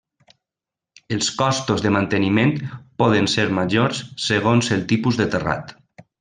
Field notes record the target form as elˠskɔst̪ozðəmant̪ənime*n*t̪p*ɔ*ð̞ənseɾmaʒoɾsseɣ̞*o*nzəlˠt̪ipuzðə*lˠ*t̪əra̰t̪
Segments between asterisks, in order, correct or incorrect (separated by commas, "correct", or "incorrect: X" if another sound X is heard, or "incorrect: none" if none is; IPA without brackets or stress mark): correct, correct, correct, incorrect: none